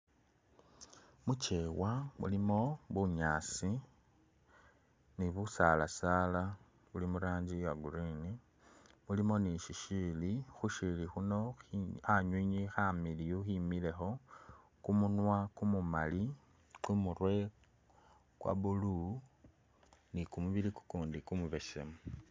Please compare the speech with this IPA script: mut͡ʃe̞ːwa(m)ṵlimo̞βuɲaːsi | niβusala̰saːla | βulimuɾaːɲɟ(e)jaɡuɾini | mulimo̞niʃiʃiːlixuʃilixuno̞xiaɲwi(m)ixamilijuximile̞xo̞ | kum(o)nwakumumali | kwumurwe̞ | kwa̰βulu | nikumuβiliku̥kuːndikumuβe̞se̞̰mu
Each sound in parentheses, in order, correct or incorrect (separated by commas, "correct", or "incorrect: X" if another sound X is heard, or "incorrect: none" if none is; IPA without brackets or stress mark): correct, incorrect: i, incorrect: ɲ, incorrect: u